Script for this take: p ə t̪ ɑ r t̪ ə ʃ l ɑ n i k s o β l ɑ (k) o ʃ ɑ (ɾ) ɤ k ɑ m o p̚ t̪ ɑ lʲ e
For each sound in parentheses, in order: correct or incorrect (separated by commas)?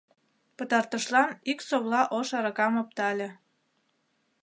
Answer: incorrect, correct